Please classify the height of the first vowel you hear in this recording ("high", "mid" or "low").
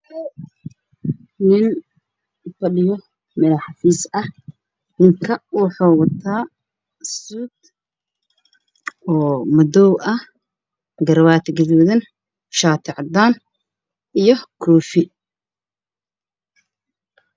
high